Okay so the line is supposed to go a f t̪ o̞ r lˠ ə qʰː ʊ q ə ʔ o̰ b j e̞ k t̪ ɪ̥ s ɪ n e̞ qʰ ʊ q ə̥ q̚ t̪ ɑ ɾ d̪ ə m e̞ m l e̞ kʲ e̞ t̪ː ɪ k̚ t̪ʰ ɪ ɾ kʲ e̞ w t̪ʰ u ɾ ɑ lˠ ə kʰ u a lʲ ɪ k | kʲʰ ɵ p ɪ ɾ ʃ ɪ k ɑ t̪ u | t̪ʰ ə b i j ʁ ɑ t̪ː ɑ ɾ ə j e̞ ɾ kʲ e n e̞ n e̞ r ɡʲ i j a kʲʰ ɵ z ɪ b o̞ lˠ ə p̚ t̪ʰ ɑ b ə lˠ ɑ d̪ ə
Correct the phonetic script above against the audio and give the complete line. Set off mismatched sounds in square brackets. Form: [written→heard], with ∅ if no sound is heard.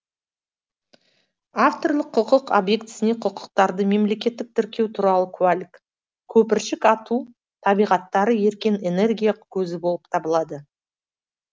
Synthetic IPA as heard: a f t̪ o̞ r lˠ ə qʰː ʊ q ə [ʔ→q] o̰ b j e̞ k t̪ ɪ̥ s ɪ n e̞ qʰ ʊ q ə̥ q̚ t̪ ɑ ɾ d̪ ə m e̞ m l e̞ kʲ e̞ t̪ː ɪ k̚ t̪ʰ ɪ ɾ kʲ e̞ w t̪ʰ u ɾ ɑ lˠ ə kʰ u a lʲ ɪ k | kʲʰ ɵ p ɪ ɾ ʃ ɪ k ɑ t̪ u | t̪ʰ [ə→ɑ] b i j ʁ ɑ t̪ː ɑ ɾ ə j e̞ ɾ kʲ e n e̞ n e̞ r ɡʲ i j a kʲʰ ɵ z ɪ b o̞ lˠ ə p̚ t̪ʰ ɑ b ə lˠ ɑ d̪ ə